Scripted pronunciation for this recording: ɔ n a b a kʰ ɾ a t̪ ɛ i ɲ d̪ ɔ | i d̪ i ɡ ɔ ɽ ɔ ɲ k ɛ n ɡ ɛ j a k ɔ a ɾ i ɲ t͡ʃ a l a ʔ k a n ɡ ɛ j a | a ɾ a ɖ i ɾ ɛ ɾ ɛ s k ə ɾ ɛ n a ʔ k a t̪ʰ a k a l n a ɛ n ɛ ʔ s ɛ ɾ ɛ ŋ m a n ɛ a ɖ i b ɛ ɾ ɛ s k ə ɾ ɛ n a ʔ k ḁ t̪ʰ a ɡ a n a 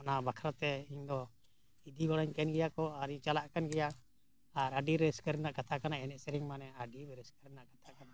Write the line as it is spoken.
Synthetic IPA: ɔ n a b a kʰ ɾ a t̪ ɛ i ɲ d̪ ɔ | i d̪ i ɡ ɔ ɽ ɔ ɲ k ɛ n ɡ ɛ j a k ɔ a ɾ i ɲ t͡ʃ a l a ʔ k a n ɡ ɛ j a | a ɾ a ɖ i ɾ ɛ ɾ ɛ s k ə ɾ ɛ n a ʔ k a t̪ʰ a k a n a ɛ n ɛ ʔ s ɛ ɾ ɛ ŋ m a n ɛ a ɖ i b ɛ ɾ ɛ s k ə ɾ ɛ n a ʔ k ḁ t̪ʰ a k a n a